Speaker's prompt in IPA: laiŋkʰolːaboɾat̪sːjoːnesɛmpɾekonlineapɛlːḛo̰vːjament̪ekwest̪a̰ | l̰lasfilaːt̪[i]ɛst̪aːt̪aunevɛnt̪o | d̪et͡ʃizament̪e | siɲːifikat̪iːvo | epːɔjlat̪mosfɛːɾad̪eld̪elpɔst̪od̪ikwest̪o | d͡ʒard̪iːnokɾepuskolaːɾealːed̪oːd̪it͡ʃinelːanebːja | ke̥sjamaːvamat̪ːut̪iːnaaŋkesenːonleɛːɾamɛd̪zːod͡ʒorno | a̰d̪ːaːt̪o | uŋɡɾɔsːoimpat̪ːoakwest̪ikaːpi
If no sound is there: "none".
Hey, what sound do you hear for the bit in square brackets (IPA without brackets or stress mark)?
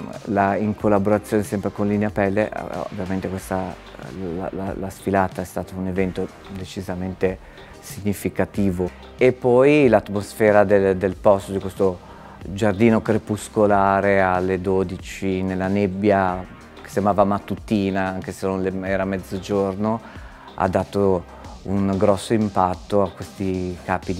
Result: a